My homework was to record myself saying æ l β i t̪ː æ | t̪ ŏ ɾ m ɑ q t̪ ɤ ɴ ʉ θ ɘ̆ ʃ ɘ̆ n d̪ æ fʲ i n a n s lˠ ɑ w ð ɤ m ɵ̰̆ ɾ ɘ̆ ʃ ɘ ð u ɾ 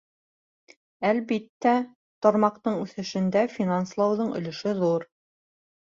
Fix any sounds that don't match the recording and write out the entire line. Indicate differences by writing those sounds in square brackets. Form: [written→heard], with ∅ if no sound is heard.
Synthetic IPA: æ l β i t̪ː æ | t̪ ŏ ɾ m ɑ q t̪ ɤ ɴ ʉ θ ɘ̆ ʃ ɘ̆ n d̪ æ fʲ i n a n s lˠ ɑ w ð ɤ [m→ɴ] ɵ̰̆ [ɾ→l] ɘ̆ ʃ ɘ ð u ɾ